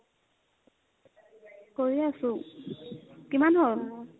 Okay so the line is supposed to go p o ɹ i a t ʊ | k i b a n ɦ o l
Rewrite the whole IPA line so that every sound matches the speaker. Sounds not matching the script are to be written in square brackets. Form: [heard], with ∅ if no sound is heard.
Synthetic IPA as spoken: [k] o ɹ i a [s] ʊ | k i [m] a n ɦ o l